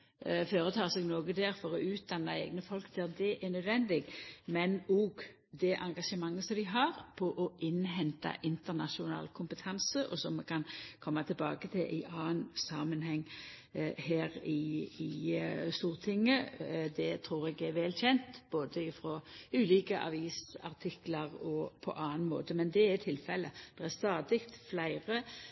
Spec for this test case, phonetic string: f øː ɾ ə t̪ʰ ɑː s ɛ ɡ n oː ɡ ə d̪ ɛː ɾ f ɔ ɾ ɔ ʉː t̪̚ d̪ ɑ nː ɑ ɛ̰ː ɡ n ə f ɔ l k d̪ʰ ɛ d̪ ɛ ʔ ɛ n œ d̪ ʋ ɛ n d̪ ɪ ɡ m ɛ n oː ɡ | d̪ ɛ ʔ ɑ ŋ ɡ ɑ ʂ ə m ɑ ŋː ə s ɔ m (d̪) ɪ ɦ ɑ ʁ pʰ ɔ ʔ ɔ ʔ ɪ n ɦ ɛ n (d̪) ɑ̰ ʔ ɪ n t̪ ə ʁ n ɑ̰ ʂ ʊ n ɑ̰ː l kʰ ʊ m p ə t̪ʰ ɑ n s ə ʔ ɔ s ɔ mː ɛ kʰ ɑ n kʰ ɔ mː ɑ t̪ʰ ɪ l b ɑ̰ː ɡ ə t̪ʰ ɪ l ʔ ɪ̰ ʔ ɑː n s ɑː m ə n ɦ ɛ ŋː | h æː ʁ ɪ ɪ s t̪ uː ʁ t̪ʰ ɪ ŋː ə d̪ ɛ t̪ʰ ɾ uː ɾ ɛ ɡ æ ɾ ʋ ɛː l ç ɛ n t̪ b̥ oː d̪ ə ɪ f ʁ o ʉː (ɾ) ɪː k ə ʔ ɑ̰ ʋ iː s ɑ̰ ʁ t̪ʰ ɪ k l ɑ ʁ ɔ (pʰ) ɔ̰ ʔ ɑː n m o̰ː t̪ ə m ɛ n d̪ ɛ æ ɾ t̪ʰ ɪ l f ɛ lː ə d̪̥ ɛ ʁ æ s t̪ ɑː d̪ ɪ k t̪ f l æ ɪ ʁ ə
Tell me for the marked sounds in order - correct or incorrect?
correct, incorrect: t̪, incorrect: l, correct

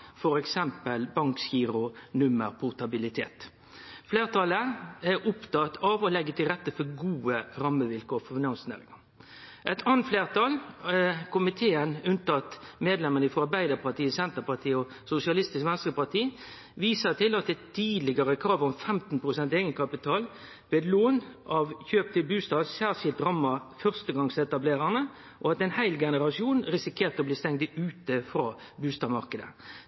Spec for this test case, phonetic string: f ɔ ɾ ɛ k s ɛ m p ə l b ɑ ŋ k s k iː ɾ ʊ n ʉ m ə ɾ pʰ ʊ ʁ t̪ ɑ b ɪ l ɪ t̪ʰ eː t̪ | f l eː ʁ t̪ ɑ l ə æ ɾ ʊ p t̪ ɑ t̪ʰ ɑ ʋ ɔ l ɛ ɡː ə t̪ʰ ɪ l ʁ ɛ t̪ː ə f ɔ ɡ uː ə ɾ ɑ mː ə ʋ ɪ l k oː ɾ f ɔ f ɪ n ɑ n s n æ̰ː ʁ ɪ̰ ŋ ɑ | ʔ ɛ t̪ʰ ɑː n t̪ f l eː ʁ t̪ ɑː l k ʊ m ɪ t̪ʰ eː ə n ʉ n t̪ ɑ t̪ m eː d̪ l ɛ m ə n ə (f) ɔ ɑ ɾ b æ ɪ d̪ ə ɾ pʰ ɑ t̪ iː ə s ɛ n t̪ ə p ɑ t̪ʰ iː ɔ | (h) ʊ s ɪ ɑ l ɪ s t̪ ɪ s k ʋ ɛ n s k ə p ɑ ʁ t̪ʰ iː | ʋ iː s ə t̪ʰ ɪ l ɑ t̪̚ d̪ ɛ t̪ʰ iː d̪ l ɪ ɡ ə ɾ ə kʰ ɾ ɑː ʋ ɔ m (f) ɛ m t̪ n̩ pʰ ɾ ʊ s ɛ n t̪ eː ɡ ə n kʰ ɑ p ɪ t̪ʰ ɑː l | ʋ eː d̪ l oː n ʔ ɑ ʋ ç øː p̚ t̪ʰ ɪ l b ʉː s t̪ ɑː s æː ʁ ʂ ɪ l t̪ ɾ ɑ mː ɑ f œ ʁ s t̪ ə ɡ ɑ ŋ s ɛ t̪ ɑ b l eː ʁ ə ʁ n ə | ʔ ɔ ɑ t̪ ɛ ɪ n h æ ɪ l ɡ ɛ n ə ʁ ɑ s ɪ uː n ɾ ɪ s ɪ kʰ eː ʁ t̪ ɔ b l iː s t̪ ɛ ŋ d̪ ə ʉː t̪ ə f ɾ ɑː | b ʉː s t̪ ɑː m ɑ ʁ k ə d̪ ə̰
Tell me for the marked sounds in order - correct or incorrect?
correct, incorrect: s, correct

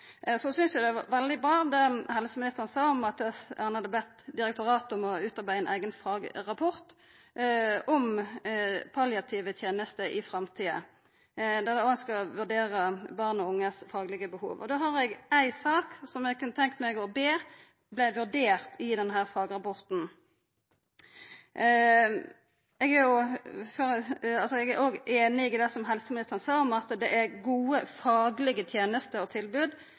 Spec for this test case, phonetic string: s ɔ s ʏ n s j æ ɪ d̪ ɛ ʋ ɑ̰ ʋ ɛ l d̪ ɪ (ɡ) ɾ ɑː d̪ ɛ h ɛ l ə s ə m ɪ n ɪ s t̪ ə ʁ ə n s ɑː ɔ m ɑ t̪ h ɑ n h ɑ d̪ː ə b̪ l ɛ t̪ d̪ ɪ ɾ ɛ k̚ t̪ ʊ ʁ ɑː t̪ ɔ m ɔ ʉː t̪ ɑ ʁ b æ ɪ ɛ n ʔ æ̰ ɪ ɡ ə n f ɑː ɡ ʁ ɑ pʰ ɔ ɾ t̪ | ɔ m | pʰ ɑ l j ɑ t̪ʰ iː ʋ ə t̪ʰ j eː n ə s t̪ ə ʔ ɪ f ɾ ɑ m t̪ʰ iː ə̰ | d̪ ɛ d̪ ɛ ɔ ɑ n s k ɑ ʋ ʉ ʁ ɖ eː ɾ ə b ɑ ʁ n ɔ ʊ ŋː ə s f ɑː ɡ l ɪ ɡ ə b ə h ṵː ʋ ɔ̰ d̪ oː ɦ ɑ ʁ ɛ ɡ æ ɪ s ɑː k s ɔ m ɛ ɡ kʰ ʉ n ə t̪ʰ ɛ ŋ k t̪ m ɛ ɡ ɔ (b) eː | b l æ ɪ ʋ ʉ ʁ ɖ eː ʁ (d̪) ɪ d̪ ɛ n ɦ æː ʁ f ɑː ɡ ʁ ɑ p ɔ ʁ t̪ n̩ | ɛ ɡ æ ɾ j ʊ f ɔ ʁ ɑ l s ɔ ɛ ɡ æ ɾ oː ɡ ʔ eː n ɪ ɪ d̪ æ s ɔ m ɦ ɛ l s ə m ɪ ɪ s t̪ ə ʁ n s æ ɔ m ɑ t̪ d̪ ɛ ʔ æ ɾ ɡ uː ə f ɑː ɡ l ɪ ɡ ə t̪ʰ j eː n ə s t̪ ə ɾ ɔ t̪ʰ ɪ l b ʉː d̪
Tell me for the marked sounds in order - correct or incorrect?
incorrect: b, correct, incorrect: t̪

